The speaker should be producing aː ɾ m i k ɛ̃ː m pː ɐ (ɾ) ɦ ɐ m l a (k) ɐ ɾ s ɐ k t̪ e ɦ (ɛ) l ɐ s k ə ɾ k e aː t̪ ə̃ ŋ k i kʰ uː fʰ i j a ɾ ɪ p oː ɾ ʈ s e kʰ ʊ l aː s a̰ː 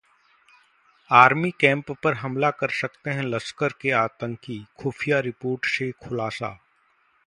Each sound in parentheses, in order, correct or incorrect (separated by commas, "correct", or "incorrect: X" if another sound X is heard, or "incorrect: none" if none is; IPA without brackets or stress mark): correct, correct, incorrect: ɛ̃